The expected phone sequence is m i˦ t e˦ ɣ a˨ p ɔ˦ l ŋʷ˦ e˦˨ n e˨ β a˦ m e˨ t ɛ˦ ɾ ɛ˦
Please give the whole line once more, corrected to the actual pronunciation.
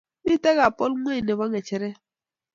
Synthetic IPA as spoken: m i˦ t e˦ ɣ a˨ p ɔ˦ l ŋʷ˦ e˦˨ n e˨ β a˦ ŋ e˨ t͡ʃ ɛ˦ ɾ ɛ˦